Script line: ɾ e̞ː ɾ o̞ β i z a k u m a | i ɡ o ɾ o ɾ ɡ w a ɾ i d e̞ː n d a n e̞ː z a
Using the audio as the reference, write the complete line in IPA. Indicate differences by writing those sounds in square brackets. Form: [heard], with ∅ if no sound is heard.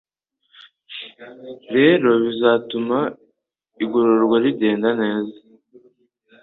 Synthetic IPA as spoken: ɾ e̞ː ɾ o̞ β i z a [t] u m a | i ɡ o ɾ o ɾ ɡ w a ɾ i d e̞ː n d a n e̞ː z a